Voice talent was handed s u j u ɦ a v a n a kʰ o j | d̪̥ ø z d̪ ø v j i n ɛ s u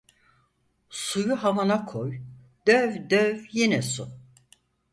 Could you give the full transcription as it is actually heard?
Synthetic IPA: s u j u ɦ a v a n a kʰ o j | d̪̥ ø v d̪ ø v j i n ɛ s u